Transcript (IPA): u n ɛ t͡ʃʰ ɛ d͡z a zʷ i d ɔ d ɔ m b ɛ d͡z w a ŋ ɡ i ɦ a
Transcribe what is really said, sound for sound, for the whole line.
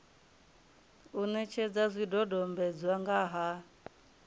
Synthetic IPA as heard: u n ɛ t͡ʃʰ ɛ d͡z a zʷ i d ɔ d ɔ m b ɛ d͡z w a ŋ ɡ a ɦ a